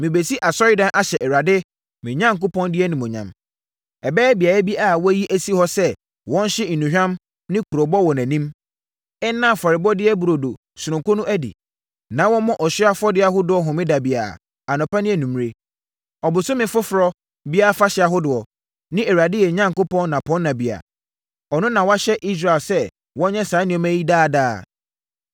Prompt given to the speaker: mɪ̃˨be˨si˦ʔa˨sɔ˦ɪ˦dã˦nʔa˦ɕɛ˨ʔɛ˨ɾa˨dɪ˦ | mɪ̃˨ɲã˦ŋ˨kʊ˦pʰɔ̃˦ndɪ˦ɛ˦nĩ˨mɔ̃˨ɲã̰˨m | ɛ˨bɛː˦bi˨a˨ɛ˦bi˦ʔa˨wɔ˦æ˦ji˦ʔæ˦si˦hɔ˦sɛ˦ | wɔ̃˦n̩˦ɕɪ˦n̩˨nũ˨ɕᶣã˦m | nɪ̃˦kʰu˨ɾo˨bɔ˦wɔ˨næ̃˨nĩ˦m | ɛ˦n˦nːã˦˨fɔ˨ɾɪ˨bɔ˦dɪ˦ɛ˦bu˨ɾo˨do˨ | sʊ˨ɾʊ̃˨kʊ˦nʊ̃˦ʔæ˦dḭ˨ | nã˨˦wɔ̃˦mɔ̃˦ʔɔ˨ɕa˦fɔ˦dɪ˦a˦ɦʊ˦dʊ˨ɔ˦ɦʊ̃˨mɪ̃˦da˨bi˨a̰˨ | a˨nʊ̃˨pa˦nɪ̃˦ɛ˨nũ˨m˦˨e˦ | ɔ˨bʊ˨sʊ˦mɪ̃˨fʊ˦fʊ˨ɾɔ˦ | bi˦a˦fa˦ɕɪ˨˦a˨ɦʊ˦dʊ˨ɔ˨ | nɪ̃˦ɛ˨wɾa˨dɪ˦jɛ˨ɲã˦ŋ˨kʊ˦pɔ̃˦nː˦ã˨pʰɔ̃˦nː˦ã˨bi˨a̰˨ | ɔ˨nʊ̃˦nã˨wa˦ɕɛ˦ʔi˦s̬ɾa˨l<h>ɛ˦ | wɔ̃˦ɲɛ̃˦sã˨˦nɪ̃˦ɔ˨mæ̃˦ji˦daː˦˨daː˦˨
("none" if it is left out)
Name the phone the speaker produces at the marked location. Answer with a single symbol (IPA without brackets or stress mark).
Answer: s